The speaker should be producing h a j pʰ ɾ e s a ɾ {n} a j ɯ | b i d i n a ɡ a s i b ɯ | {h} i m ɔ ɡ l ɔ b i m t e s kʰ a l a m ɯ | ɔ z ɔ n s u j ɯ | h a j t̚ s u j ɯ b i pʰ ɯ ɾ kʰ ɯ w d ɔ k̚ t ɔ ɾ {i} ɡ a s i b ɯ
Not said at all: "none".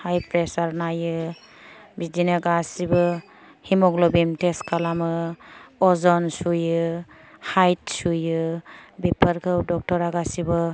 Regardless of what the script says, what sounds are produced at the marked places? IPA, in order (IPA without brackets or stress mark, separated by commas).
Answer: n, h, a